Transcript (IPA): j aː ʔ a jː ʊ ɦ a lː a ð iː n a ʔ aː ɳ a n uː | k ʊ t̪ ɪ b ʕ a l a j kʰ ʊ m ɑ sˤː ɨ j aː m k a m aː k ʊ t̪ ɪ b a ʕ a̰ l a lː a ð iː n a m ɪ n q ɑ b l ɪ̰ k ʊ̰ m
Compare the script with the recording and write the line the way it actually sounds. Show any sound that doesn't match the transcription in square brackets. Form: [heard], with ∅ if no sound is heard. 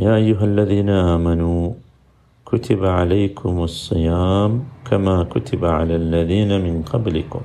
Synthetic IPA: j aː ʔ a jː ʊ ɦ a lː a ð iː n a ʔ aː [m] a n uː | k ʊ t̪ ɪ b ʕ a l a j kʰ ʊ m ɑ sˤː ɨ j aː m k a m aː k ʊ t̪ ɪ b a ʕ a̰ l a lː a ð iː n a m ɪ n q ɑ b l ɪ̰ k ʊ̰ m